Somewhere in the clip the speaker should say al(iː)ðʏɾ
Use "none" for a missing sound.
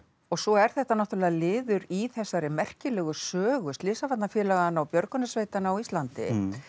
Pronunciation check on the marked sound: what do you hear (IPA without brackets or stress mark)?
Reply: ɪː